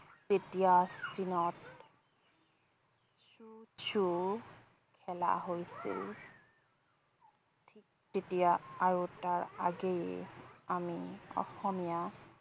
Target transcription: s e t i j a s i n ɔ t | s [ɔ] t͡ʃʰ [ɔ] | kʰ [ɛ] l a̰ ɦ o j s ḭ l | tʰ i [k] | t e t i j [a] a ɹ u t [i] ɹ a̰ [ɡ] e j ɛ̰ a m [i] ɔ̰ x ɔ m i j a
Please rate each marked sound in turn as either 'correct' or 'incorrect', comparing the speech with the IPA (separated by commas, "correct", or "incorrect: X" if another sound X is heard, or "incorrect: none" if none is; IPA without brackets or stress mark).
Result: incorrect: u, incorrect: u, correct, correct, correct, incorrect: a, correct, correct